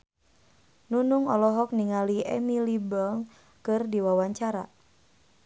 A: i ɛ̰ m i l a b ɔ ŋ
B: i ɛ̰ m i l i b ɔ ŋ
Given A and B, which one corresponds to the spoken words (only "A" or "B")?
B